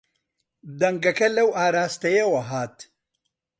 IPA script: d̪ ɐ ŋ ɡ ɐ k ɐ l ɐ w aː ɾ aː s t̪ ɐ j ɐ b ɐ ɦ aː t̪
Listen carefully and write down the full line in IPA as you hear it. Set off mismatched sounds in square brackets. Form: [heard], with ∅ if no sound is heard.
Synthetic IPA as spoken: d̪ ɐ ŋ ɡ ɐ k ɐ l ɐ w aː ɾ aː s t̪ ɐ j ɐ [w] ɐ ɦ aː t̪